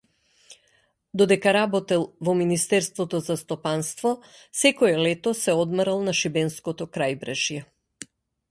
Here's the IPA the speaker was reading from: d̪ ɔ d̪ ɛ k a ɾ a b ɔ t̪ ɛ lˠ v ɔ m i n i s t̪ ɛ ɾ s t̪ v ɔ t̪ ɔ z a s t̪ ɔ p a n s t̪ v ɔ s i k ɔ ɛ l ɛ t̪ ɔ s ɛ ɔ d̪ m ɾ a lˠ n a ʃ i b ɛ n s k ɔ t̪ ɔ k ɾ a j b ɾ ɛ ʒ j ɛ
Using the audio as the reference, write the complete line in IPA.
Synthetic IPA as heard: d̪ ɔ d̪ ɛ k a ɾ a b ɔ t̪ ɛ lˠ v ɔ m i n i s t̪ ɛ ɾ s t̪ v ɔ t̪ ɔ z a s t̪ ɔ p a n s t̪ v ɔ s ɛ k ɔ ɛ l ɛ t̪ ɔ s ɛ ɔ d̪ m ɾ a lˠ n a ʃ i b ɛ n s k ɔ t̪ ɔ k ɾ a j b ɾ ɛ ʒ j ɛ